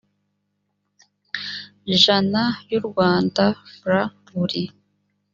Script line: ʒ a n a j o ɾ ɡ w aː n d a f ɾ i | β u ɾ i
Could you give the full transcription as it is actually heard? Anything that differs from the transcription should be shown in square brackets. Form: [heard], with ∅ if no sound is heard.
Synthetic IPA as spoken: ʒ a n a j [u] ɾ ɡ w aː n d a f ɾ [a] | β u ɾ i